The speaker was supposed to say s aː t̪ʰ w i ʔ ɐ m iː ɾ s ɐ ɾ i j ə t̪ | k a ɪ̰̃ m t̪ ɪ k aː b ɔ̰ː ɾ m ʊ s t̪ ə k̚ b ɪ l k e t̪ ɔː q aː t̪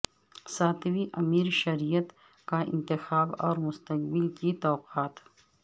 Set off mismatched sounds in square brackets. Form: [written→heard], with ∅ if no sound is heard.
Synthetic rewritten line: s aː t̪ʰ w i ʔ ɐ m iː ɾ [s→ʃ] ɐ ɾ i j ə t̪ | k a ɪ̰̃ [m→n] t̪ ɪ [k→x] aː b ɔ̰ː ɾ m ʊ s t̪ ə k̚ b ɪ l k [e→i] t̪ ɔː q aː t̪